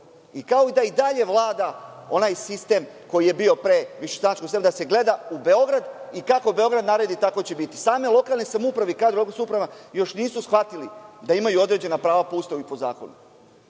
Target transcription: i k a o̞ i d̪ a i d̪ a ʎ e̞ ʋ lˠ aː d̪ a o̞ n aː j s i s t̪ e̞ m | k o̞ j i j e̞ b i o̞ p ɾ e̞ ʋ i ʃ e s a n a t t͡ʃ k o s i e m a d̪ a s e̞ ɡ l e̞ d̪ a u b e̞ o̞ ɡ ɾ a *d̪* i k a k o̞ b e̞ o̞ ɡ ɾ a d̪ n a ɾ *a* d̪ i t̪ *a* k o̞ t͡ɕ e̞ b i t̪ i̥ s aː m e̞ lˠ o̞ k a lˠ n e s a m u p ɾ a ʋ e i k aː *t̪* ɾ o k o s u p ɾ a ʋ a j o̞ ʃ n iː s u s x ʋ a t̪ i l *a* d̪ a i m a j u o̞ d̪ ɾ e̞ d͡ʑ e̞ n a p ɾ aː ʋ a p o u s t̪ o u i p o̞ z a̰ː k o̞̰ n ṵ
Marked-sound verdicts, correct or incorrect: correct, incorrect: e, correct, incorrect: d̪, incorrect: i

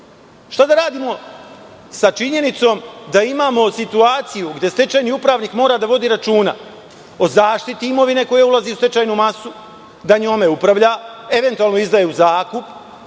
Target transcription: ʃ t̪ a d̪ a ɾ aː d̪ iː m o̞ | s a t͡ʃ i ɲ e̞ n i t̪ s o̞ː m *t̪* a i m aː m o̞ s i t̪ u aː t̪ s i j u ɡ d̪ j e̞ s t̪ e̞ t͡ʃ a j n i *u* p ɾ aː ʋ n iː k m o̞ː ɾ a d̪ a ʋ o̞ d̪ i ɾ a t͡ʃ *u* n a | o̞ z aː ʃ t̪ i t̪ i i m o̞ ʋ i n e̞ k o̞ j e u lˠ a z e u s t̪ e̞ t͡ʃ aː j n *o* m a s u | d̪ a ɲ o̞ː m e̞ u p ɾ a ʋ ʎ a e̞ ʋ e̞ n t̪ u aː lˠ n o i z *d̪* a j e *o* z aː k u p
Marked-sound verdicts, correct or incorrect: incorrect: d̪, correct, incorrect: uː, incorrect: u, correct, incorrect: u

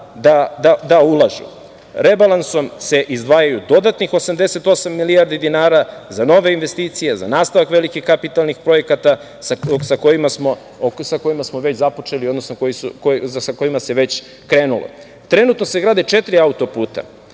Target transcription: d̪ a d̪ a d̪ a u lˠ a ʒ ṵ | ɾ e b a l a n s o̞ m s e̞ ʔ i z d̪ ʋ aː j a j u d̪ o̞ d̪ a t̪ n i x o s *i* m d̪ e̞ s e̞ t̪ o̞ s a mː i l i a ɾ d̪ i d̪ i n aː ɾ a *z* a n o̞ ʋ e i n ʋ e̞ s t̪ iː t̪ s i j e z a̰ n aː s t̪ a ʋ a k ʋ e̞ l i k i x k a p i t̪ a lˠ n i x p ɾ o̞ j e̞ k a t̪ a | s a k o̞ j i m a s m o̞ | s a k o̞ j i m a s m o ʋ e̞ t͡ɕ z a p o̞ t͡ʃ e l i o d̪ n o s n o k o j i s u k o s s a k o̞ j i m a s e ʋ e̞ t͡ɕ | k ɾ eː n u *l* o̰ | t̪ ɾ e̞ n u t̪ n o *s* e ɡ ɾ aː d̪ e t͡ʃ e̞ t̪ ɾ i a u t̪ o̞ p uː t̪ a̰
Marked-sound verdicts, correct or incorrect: incorrect: a, correct, correct, correct

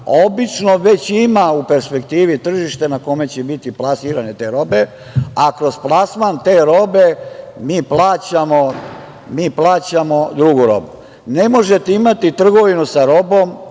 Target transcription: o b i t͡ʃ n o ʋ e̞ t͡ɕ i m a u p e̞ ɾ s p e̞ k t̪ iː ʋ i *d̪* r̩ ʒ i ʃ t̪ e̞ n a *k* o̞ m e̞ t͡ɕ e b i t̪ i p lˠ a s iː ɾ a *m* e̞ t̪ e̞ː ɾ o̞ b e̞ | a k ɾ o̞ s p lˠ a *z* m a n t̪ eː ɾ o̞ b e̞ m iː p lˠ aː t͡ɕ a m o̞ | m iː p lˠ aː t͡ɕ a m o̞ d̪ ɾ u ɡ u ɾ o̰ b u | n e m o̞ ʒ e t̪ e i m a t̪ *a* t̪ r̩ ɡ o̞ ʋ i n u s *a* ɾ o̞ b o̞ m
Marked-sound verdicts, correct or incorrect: incorrect: t̪, correct, incorrect: n, incorrect: s, incorrect: i, correct

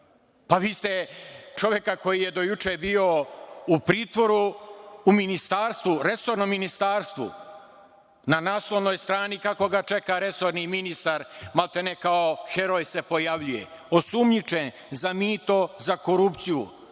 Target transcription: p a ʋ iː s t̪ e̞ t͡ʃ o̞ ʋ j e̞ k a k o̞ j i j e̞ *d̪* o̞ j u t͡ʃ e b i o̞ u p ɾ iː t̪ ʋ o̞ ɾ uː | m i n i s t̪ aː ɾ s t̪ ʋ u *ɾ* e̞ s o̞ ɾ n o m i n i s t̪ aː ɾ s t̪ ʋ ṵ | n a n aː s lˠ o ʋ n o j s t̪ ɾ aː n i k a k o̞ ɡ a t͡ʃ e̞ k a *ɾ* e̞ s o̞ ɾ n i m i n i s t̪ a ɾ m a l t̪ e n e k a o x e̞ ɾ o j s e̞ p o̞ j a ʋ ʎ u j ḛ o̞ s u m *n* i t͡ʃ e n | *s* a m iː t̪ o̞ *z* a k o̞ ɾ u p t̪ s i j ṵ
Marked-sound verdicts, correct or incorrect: correct, correct, correct, incorrect: ɲ, incorrect: z, correct

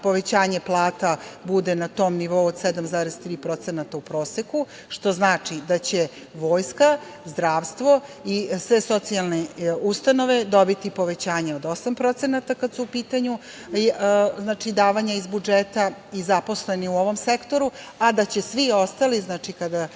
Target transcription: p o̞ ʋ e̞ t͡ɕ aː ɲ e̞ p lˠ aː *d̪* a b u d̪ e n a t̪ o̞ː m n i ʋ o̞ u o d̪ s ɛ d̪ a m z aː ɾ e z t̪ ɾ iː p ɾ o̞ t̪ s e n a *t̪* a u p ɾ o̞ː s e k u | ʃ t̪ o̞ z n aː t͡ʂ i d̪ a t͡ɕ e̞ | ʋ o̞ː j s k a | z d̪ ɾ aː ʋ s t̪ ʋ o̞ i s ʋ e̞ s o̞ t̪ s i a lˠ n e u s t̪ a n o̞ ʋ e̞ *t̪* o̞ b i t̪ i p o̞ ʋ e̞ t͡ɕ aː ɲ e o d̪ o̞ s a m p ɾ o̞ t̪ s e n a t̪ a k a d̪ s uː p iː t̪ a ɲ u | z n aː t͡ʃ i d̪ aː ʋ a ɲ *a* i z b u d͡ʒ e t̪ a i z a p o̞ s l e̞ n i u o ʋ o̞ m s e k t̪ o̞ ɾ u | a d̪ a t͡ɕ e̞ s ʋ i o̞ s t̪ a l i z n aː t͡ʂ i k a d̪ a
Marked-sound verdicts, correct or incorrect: incorrect: t̪, correct, incorrect: d̪, correct

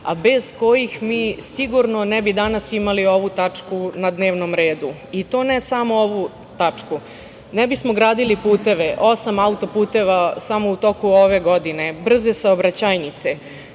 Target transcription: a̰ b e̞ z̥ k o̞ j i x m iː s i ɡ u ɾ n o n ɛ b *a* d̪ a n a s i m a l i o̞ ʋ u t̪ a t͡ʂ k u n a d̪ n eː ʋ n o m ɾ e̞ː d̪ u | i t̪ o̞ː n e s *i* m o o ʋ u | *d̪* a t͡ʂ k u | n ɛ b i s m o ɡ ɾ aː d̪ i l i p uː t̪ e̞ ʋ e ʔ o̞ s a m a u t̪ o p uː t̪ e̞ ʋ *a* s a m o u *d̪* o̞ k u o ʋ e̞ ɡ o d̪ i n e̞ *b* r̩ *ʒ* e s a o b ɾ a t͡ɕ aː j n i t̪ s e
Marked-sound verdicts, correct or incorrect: incorrect: i, incorrect: a, incorrect: t̪, correct, incorrect: t̪, correct, incorrect: z

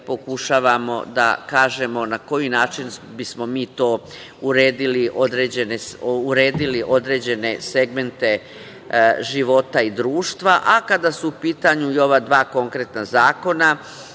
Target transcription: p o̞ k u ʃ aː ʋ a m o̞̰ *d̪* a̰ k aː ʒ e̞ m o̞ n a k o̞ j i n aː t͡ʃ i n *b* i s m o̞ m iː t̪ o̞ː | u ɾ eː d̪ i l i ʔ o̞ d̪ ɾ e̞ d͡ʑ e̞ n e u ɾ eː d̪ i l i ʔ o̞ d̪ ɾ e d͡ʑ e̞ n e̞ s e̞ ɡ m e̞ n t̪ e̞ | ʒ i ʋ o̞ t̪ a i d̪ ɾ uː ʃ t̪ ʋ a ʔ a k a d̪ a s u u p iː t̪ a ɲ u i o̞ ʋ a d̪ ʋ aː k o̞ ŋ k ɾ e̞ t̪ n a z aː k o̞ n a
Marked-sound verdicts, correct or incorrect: correct, correct

